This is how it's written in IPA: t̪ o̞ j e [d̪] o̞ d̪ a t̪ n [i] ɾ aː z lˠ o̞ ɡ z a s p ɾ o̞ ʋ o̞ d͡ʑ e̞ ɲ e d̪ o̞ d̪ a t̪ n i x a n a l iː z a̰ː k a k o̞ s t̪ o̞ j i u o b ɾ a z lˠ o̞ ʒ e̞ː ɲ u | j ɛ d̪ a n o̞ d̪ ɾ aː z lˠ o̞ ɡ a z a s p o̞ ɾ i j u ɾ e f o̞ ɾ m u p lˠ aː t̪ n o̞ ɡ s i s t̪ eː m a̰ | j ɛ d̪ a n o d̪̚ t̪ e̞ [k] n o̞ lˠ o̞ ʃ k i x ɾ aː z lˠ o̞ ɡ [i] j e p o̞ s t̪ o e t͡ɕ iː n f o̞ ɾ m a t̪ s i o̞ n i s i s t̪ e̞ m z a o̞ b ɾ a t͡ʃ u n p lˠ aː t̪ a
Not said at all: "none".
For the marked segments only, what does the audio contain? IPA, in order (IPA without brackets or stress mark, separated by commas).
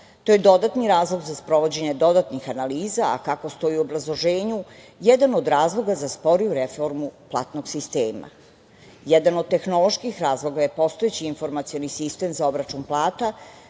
d̪, i, x, a